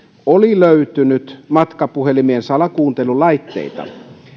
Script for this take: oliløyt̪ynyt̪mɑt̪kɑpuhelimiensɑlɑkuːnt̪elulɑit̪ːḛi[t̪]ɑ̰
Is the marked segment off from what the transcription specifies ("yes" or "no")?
no